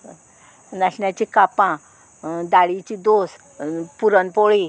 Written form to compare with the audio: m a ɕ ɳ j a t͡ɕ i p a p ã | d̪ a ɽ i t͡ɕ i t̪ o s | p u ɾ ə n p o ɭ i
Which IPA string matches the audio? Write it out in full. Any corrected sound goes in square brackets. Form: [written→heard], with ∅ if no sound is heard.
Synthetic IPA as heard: [m→n] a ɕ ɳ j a t͡ɕ i [p→k] a p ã | d̪ a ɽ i t͡ɕ i [t̪→d̪] o s | p u ɾ ə n p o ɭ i